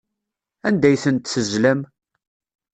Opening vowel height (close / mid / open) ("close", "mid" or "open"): open